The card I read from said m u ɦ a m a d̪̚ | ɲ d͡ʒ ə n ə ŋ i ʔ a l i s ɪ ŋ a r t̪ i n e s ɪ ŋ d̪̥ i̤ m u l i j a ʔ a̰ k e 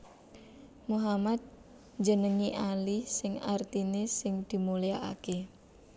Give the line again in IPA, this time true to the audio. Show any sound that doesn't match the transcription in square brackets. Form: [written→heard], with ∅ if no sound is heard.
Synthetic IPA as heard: m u ɦ a m a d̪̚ | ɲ d͡ʒ ə n ə ŋ i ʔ a l i s ɪ ŋ a r t̪ i n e s ɪ ŋ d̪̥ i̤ m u l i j a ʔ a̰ k e